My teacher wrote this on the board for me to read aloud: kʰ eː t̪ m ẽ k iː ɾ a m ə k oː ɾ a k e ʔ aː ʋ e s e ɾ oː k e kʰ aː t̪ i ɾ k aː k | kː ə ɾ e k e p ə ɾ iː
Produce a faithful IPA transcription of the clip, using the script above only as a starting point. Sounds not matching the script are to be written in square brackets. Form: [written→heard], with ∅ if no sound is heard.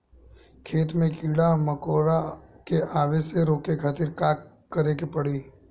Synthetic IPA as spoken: kʰ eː t̪ m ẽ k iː [ɾ→ɽ] a m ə k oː ɾ a k e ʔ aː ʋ e s e ɾ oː k e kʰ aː t̪ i ɾ k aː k | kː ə ɾ e k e p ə [ɾ→ɽ] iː